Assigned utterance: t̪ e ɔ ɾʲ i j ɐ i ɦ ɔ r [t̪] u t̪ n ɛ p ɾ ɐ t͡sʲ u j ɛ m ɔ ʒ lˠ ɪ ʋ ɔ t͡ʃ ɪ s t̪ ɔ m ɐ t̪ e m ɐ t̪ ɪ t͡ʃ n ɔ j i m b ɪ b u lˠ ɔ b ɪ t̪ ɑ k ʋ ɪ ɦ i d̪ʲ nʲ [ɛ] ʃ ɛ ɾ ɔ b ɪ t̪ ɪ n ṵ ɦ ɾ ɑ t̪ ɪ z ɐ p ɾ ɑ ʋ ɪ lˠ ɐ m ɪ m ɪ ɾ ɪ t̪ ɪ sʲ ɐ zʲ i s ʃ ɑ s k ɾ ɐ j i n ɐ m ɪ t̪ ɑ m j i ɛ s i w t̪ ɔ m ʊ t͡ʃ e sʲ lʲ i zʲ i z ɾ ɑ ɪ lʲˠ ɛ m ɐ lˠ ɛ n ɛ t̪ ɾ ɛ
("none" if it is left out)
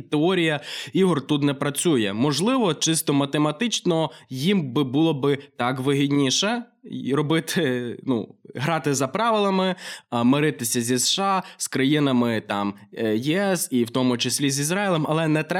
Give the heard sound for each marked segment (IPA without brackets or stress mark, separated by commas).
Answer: t̪, i